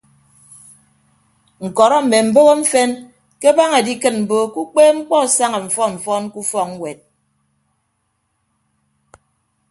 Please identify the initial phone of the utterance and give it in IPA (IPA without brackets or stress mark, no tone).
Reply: ŋ̩